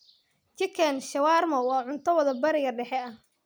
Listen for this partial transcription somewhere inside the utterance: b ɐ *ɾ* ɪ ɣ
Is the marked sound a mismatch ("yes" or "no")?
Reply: no